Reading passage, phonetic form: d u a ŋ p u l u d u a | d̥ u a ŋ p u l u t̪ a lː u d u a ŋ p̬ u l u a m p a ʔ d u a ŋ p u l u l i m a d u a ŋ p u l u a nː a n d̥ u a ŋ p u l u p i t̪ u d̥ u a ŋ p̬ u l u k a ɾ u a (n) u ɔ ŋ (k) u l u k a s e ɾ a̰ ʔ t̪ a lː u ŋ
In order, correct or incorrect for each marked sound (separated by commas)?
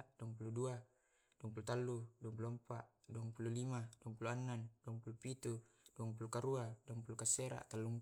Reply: incorrect, incorrect